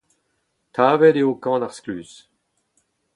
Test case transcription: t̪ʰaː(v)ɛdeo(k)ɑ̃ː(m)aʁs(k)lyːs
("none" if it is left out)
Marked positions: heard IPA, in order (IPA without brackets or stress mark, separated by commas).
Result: v, k, n, k